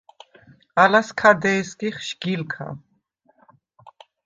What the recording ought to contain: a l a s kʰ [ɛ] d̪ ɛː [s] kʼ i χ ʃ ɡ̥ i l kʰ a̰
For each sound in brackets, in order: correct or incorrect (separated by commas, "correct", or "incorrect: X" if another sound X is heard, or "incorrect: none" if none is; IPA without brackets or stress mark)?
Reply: incorrect: a, correct